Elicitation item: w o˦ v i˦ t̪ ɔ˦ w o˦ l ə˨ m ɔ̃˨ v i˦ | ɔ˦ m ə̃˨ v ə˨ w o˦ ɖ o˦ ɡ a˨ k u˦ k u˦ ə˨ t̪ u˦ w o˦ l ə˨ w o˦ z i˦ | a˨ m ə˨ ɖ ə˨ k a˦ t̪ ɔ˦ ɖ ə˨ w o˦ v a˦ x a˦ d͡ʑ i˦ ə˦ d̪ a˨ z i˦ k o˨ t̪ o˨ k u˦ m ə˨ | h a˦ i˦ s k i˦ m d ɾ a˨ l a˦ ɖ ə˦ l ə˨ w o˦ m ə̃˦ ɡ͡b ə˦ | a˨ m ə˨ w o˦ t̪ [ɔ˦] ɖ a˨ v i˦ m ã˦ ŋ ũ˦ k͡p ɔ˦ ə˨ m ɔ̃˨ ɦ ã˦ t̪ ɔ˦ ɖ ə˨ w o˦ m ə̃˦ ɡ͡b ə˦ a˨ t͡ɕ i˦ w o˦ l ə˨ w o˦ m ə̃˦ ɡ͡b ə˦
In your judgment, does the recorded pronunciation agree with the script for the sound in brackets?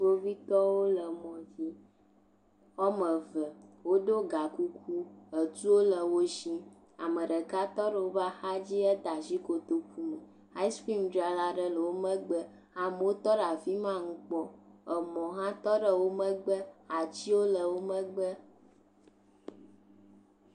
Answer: yes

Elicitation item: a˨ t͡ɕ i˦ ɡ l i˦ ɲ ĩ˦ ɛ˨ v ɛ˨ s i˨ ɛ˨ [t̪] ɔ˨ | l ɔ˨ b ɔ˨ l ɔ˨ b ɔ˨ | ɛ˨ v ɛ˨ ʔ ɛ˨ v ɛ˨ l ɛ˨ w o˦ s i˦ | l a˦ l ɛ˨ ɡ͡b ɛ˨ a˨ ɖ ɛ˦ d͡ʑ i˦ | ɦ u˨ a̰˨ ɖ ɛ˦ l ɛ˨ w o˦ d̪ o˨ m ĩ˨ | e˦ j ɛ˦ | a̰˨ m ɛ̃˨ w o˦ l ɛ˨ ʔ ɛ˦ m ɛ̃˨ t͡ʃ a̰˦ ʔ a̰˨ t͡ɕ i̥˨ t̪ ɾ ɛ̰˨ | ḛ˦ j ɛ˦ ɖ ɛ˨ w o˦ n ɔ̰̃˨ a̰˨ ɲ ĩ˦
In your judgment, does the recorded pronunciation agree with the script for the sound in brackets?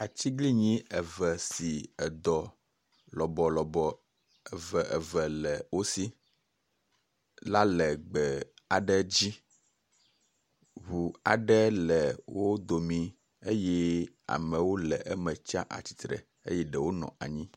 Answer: no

